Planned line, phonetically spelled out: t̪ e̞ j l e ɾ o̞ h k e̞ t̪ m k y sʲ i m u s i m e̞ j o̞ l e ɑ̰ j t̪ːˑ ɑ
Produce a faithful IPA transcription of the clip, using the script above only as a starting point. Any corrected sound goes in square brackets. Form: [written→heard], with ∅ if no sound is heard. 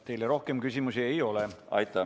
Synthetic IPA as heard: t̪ e̞ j l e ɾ o̞ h k e̞ [t̪→∅] m k y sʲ i m u s i [m→∅] e̞ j o̞ l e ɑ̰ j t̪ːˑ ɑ